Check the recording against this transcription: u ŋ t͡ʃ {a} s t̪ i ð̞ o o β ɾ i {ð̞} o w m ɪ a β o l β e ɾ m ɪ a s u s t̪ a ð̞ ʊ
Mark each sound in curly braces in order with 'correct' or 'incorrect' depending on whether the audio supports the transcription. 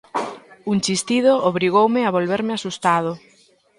incorrect: i, incorrect: ɣ̞

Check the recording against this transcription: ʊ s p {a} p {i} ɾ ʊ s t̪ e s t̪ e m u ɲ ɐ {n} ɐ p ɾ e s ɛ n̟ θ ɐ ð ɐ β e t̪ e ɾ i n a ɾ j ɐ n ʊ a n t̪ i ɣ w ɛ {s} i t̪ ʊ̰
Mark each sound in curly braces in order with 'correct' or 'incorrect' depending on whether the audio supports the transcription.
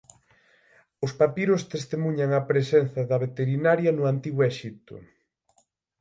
correct, correct, incorrect: ŋ, incorrect: ʃ

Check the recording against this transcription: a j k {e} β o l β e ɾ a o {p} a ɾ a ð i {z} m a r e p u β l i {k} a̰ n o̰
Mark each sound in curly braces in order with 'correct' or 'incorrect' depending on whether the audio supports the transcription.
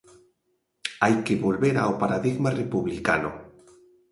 correct, correct, incorrect: ɣ, correct

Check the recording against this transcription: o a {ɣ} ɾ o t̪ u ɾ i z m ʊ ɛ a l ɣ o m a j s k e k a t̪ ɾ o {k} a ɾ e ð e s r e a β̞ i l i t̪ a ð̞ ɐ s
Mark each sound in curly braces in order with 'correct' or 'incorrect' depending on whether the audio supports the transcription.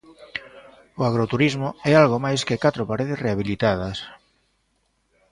correct, incorrect: p

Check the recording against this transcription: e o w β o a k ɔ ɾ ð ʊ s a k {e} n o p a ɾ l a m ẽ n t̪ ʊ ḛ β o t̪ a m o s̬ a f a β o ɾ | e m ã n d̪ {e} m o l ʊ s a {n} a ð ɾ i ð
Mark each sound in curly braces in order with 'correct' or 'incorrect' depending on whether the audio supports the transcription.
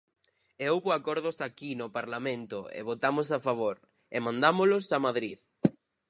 incorrect: i, incorrect: a, incorrect: m

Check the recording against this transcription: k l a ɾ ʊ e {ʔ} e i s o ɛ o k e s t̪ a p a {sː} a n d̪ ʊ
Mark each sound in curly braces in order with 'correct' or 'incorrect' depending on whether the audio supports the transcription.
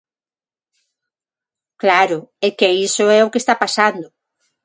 incorrect: k, incorrect: s

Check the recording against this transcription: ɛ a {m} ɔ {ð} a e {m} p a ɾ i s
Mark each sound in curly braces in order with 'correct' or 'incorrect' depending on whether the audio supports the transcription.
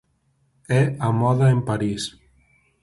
correct, correct, correct

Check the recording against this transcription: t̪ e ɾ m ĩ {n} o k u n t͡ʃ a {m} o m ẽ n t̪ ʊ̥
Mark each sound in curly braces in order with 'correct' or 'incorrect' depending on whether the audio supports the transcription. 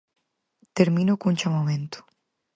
correct, correct

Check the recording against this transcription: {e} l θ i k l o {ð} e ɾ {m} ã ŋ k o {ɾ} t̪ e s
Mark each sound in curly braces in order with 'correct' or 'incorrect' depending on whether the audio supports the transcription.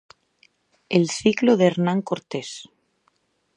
correct, correct, incorrect: n, correct

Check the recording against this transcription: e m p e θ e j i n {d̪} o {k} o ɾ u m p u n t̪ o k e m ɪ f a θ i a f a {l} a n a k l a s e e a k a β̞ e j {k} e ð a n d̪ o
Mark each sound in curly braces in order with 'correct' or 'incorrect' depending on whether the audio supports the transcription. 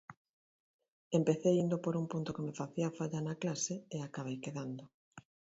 correct, incorrect: p, incorrect: ʎ, correct

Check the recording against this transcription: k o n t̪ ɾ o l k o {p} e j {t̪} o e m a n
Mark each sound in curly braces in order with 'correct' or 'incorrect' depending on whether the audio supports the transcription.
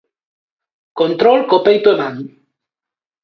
correct, correct

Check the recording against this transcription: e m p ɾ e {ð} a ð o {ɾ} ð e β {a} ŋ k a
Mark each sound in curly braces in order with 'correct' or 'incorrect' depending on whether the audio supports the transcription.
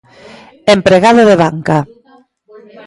incorrect: ɣ, incorrect: none, correct

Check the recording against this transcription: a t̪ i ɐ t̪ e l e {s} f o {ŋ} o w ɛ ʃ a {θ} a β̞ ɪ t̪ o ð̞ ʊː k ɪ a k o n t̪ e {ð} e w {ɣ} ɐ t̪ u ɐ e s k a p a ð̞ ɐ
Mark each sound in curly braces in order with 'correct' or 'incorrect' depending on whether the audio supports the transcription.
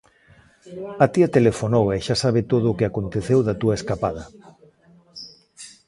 incorrect: none, incorrect: n, incorrect: s, incorrect: θ, incorrect: ð

